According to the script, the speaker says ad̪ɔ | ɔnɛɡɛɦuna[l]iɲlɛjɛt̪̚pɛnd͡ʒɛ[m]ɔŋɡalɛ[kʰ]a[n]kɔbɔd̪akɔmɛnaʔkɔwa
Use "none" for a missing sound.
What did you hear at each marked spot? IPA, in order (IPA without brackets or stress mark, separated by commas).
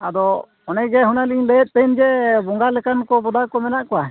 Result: l, b, k, n